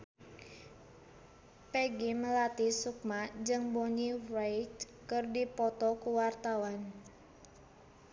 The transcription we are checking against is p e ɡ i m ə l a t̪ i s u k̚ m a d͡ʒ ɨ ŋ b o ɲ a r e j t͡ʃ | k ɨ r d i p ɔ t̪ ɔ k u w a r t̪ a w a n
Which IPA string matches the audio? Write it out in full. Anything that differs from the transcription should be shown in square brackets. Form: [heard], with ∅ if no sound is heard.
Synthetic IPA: p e ɡ i m ə l a t̪ i s u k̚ m a d͡ʒ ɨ ŋ b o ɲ [i] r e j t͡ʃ | k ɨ r d i p ɔ t̪ ɔ k u w a r t̪ a w a n